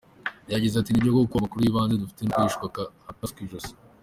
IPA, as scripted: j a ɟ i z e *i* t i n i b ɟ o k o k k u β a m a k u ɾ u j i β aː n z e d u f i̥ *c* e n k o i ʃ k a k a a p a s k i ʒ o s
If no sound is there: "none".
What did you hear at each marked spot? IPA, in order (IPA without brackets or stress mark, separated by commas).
a, t